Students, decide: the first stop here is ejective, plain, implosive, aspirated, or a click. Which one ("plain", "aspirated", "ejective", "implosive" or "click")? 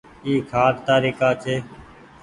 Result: aspirated